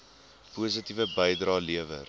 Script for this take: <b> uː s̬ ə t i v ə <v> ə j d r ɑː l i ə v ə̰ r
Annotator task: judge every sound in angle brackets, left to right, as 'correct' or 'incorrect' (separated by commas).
incorrect, incorrect